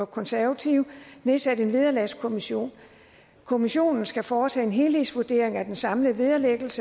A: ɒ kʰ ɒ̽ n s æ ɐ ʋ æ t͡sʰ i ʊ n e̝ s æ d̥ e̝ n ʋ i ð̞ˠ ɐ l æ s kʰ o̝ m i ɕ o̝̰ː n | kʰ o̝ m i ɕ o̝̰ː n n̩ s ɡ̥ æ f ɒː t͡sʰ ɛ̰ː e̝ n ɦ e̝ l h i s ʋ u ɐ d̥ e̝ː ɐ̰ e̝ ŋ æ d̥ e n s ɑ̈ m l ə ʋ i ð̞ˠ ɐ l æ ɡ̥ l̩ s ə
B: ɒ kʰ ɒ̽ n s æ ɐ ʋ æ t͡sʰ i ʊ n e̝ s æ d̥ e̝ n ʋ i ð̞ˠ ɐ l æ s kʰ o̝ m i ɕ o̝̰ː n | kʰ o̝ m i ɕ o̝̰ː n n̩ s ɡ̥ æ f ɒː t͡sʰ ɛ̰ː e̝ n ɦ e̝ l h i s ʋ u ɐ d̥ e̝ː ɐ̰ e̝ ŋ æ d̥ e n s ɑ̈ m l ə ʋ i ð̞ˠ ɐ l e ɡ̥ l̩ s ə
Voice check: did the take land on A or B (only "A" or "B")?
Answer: B